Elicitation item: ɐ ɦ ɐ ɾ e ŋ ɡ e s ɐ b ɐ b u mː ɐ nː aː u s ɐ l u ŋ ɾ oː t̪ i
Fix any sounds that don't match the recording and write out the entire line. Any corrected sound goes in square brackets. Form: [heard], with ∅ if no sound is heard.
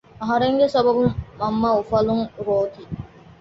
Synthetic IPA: ɐ ɦ ɐ ɾ e ŋ ɡ e s ɐ b ɐ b u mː ɐ [mː] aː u [f] ɐ l u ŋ ɾ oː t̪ i